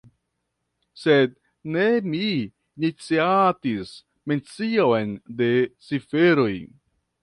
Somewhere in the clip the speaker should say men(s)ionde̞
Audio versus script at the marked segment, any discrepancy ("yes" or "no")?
yes